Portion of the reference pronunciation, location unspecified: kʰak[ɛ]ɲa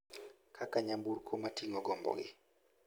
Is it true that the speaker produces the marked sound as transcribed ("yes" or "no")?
no